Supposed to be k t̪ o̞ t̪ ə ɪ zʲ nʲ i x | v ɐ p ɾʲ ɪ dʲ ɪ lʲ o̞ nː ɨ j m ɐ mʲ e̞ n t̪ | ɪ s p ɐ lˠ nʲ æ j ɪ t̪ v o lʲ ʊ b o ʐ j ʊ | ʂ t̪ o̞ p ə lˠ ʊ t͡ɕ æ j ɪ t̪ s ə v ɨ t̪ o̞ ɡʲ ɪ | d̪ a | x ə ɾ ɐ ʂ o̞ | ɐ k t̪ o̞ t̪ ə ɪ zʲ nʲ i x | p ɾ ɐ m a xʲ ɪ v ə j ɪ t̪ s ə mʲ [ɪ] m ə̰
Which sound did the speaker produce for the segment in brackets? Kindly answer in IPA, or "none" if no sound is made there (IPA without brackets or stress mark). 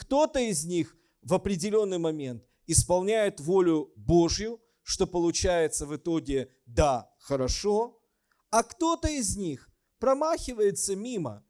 i